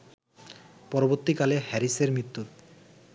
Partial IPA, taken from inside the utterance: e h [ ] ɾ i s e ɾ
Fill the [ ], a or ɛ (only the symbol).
ɛ